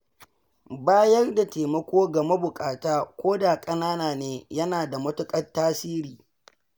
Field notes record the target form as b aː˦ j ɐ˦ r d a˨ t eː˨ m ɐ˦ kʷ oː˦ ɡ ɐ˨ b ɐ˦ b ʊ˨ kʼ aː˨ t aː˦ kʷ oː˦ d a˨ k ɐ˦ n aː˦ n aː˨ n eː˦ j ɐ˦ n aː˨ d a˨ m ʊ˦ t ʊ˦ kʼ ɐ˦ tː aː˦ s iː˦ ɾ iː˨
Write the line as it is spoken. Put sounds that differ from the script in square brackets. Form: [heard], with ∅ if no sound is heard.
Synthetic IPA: b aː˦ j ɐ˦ r d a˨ t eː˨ m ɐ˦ kʷ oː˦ ɡ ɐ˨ [m] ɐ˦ b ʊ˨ kʼ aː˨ t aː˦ kʷ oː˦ d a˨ [kʼ] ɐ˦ n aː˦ n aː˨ n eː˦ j ɐ˦ n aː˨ d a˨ m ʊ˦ t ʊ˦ kʼ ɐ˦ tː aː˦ s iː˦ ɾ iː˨